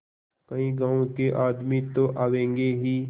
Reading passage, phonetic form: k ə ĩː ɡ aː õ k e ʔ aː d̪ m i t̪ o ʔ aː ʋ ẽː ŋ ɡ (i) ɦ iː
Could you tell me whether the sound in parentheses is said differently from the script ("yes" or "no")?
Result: yes